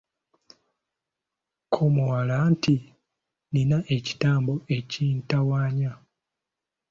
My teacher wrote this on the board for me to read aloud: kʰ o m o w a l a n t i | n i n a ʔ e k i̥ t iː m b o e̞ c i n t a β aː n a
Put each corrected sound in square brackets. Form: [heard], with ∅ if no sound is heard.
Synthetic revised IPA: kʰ o m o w a l a n t i | n i n a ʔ e [c] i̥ t [aː] m b o e̞ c i n t a [w] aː [ɲ] a